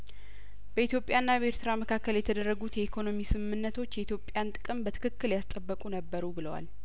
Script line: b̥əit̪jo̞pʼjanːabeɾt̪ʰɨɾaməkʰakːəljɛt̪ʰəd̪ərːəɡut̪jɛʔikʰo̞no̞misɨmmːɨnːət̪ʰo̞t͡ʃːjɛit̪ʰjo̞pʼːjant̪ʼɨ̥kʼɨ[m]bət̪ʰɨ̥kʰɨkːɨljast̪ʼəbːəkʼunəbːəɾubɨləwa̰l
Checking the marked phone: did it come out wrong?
no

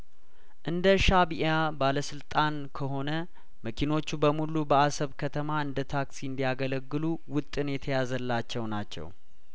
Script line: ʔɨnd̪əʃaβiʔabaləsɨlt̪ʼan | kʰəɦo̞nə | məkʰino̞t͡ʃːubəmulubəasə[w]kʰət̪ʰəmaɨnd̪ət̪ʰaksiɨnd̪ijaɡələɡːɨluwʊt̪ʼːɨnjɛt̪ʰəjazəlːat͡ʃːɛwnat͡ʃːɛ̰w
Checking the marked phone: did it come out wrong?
yes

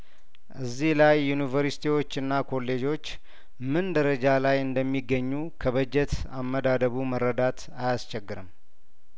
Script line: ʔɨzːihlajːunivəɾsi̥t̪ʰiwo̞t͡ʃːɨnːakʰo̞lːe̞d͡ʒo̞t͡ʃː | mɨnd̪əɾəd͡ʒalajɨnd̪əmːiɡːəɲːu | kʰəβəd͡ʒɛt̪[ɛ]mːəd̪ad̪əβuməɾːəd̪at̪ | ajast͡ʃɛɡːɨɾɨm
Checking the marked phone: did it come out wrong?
yes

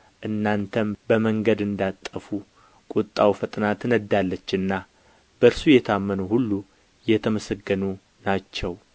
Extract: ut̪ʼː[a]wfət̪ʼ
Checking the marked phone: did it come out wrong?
no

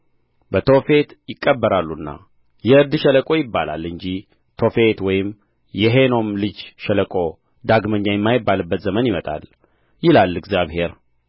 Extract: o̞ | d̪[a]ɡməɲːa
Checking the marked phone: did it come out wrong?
no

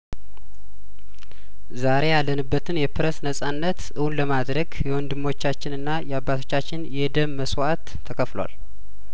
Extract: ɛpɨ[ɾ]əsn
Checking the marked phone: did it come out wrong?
no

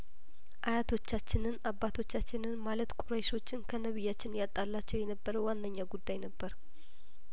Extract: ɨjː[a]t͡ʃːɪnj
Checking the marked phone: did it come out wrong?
no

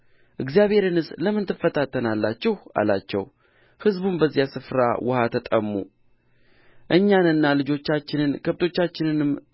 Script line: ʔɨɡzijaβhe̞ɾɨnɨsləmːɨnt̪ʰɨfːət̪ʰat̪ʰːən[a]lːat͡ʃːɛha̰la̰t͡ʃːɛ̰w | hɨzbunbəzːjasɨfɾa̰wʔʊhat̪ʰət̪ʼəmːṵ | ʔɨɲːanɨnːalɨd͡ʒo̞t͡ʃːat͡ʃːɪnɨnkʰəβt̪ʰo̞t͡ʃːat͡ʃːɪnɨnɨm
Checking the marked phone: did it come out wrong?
no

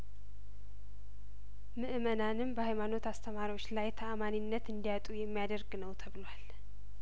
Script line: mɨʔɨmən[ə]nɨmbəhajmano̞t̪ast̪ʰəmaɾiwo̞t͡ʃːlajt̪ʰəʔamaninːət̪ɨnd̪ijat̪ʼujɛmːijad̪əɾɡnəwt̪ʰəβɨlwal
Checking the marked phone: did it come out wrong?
yes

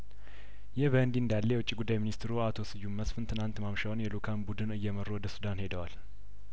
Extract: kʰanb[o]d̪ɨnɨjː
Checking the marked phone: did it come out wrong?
yes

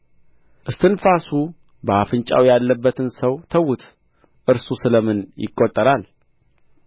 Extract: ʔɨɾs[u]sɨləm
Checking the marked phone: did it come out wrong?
no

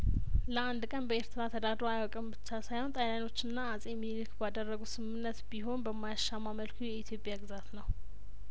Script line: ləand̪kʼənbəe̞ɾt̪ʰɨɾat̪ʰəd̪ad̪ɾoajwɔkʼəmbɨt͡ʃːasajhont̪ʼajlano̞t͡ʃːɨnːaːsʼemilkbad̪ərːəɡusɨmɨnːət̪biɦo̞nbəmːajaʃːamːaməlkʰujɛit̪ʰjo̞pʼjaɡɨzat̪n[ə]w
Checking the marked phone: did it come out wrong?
no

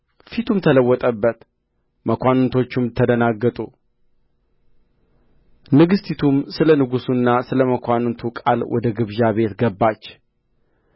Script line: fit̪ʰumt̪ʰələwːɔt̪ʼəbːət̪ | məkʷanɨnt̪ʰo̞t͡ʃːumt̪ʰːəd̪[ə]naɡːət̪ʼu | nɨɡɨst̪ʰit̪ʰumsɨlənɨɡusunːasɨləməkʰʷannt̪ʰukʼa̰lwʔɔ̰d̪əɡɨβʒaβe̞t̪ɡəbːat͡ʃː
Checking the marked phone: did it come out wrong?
no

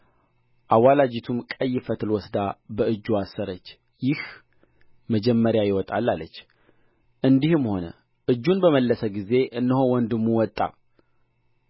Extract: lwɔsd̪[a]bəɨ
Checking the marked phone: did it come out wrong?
no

